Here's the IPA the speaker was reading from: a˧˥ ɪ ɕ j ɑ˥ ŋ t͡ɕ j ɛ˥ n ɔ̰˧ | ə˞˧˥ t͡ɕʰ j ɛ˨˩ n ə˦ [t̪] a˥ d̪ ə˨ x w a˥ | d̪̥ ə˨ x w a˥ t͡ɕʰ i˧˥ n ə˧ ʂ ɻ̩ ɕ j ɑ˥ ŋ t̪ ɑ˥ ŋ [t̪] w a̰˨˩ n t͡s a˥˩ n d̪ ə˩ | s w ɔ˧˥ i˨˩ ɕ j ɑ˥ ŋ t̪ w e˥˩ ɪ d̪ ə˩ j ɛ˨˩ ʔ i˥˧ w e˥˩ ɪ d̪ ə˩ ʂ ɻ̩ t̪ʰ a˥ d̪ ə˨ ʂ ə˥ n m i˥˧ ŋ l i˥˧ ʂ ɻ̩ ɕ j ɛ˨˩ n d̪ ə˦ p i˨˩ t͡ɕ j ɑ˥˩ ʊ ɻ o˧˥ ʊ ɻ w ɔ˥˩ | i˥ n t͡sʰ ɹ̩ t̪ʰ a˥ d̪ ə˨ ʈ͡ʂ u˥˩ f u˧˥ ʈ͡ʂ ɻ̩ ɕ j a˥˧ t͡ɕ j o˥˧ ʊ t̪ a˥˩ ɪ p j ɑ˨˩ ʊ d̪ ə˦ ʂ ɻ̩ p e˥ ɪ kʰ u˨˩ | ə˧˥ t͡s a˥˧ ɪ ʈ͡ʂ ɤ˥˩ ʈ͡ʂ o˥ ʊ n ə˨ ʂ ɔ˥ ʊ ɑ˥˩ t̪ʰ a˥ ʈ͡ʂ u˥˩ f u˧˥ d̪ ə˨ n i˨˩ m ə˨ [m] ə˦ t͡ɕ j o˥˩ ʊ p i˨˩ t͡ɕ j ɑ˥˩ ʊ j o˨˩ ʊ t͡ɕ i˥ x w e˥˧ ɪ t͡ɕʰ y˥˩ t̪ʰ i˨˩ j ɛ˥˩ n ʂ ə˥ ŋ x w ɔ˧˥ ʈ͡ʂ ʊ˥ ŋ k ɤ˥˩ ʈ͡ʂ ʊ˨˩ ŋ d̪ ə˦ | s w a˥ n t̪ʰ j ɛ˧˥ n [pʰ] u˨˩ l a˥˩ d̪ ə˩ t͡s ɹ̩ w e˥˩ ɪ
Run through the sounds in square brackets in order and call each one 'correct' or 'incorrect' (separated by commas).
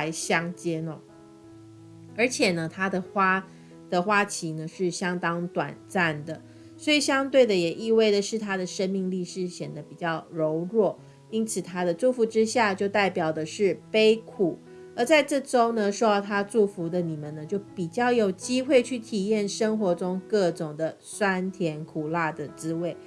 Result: incorrect, correct, incorrect, incorrect